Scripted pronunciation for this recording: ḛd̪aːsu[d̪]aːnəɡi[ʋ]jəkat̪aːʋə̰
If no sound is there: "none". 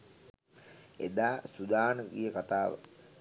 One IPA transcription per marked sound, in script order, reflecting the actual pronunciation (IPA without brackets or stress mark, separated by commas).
d̪, none